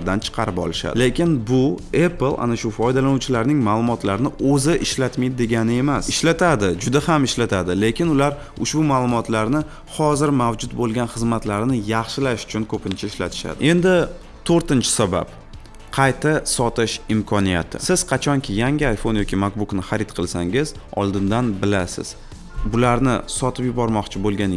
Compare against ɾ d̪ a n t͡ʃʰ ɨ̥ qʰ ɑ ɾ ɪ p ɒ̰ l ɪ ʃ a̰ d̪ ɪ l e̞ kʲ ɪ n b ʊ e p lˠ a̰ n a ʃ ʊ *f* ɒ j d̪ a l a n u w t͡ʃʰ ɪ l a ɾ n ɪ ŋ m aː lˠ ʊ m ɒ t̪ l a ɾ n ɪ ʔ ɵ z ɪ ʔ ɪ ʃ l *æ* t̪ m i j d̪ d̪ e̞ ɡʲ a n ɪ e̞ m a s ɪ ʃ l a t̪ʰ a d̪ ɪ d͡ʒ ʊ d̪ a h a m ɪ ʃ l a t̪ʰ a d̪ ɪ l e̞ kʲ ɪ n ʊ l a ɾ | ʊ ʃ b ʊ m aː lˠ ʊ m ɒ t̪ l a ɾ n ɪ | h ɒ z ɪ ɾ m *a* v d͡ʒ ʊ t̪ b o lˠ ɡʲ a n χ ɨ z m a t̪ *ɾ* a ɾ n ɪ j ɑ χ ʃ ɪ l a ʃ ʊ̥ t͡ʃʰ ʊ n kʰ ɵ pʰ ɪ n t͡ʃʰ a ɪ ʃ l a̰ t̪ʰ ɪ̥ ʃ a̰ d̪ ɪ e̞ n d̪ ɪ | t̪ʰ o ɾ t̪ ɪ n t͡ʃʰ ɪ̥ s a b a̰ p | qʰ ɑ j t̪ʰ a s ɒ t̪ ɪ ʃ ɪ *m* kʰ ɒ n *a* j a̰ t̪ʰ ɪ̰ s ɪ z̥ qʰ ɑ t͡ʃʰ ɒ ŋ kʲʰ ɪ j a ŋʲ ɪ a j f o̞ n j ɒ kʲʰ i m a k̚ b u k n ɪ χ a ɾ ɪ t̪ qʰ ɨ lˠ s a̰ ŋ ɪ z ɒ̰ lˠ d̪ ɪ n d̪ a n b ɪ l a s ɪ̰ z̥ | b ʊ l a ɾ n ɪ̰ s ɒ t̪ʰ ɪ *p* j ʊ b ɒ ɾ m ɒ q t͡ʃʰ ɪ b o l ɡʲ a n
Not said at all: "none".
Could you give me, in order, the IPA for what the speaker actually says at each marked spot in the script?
f, a, a, l, m, i, p

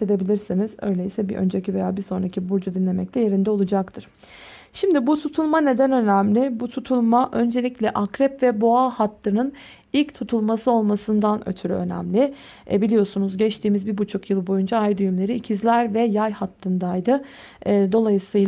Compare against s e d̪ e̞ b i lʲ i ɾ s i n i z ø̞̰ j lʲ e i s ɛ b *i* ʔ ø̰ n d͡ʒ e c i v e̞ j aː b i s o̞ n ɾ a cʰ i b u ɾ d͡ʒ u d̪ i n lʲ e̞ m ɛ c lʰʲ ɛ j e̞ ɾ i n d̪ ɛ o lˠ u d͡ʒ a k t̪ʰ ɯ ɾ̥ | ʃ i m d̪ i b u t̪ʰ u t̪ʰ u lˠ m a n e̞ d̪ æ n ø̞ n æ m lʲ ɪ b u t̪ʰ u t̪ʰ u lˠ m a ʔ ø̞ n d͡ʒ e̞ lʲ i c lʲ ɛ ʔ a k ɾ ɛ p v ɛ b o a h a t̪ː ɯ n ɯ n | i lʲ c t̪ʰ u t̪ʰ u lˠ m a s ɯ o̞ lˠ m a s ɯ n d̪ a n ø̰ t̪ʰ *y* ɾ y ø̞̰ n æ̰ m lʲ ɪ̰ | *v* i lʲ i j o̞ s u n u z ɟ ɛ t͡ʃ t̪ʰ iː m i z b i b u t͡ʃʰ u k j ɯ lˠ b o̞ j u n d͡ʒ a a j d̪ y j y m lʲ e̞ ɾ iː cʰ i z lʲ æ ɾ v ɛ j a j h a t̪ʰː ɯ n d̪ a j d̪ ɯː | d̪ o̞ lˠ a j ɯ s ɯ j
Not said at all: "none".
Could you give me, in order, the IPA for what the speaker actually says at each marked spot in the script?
i, y, b

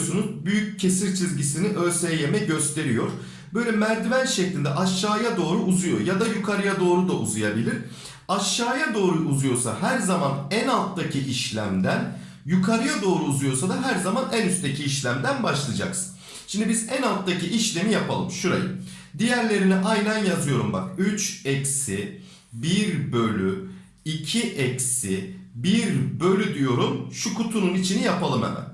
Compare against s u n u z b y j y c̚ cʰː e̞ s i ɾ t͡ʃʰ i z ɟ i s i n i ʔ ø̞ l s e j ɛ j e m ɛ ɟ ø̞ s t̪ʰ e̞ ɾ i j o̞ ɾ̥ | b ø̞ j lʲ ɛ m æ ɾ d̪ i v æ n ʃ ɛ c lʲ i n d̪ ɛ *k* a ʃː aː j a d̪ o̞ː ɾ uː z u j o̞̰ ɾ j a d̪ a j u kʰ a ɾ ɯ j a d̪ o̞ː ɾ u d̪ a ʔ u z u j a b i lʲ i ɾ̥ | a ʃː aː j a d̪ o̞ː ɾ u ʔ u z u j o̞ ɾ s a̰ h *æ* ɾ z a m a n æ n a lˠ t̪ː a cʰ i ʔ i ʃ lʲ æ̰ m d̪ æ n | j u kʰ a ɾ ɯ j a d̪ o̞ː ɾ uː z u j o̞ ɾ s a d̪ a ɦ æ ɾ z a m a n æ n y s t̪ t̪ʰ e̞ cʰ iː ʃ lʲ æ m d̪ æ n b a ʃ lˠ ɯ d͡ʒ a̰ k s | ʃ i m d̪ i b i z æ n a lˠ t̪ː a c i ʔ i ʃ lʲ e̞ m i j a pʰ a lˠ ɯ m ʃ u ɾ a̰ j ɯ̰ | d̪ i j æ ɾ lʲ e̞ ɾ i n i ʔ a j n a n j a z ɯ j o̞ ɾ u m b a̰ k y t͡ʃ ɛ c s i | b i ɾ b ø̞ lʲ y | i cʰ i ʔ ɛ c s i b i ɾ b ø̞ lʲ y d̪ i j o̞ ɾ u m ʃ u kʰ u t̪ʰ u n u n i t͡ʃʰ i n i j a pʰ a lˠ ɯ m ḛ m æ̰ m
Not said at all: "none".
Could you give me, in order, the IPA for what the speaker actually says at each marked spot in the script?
ʔ, æ

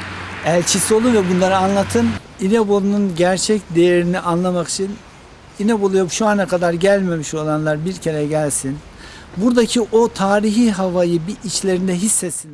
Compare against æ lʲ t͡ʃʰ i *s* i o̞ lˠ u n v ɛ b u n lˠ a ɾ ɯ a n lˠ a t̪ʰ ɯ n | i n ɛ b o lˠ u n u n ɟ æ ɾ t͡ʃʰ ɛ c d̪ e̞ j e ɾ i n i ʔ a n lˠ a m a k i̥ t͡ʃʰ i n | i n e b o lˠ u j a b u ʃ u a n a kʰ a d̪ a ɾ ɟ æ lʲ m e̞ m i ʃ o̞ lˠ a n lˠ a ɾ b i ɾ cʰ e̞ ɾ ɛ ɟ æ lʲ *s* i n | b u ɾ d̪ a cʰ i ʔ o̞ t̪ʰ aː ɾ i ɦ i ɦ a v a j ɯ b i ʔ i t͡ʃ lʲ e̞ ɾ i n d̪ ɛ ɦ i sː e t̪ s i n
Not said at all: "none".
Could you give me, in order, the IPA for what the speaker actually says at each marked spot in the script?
s, s

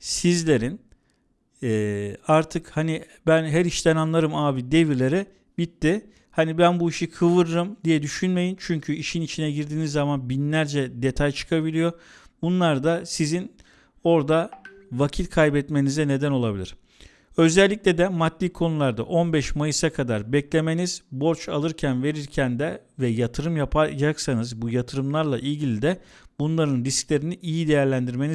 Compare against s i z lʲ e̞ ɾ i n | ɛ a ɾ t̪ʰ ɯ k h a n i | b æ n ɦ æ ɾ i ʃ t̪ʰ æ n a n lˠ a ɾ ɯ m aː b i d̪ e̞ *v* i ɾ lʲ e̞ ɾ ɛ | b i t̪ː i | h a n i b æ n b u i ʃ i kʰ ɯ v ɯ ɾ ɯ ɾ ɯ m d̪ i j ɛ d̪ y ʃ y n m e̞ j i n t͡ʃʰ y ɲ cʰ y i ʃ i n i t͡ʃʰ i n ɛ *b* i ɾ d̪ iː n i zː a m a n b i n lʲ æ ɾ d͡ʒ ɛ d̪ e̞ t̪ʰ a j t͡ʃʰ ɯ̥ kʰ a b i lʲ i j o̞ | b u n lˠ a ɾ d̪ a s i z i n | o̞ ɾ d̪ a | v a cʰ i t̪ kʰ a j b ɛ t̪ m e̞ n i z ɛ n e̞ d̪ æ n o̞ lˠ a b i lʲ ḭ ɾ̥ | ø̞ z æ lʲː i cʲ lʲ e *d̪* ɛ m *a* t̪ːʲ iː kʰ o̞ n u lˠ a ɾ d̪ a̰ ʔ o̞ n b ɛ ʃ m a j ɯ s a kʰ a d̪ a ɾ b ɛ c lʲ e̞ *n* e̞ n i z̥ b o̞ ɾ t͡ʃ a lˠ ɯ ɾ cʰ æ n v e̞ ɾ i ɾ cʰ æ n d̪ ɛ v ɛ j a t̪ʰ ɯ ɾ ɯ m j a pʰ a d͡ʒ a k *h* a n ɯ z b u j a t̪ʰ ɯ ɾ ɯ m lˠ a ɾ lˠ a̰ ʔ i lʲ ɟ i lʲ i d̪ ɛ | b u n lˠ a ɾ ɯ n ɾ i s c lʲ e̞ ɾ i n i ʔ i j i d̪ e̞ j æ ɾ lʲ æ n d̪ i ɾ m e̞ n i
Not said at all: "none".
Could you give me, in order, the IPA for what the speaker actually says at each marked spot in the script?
v, ɟ, d̪, a, m, s

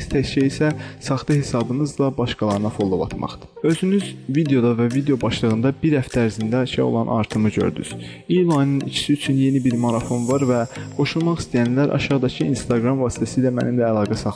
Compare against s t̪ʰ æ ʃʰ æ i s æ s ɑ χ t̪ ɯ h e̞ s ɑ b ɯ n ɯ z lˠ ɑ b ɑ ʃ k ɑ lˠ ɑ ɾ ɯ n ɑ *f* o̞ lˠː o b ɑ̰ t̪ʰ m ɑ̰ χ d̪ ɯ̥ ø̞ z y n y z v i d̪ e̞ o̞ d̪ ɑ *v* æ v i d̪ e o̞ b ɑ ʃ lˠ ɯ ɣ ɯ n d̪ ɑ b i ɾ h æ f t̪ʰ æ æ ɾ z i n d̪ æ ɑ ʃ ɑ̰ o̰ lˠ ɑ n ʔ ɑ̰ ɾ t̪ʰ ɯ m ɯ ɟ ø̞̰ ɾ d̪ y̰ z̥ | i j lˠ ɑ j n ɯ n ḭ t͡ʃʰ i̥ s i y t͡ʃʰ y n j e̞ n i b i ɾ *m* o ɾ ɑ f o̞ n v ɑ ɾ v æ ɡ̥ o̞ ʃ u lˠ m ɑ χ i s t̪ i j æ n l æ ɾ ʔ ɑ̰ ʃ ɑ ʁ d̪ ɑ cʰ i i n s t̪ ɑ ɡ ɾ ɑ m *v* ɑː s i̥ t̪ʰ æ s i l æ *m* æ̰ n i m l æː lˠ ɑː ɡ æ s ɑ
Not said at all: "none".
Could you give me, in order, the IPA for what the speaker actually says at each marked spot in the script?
f, v, m, v, m

